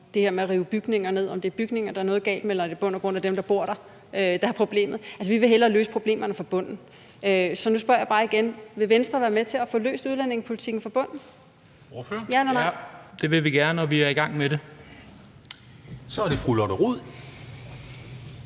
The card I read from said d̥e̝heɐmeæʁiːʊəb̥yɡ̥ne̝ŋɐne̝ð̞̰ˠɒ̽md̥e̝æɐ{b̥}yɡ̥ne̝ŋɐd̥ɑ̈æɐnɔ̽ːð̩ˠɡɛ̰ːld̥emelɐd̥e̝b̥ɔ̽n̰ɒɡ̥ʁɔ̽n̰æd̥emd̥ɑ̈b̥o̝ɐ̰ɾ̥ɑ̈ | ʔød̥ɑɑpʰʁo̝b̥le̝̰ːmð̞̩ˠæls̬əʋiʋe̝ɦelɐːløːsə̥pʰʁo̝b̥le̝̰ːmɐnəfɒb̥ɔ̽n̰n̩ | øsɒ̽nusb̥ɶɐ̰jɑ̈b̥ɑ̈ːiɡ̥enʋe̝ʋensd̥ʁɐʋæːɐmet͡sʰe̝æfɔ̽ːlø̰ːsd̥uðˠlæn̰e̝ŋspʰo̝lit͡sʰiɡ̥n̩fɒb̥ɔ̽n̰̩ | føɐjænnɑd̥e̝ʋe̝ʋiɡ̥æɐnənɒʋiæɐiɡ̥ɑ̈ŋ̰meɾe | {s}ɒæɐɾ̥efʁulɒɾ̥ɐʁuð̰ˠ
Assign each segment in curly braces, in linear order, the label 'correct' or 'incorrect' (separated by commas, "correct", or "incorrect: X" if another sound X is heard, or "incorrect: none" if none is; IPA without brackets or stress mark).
correct, correct